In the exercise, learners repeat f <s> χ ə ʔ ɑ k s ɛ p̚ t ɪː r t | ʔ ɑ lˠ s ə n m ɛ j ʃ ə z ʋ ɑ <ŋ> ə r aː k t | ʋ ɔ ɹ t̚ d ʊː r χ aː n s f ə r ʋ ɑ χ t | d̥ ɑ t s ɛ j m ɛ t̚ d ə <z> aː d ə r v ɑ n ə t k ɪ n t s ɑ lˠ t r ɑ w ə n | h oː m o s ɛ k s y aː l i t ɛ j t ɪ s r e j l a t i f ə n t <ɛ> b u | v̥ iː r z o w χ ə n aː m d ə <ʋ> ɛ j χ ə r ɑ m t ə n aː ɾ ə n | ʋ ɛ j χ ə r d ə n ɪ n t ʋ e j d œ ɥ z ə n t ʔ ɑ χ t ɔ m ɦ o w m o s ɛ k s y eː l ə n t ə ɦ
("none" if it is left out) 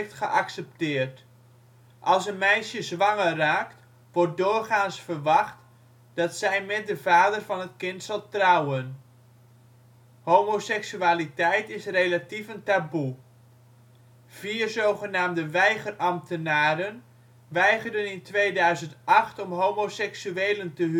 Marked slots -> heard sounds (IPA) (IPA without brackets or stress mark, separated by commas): t, ŋ, v, a, ʋ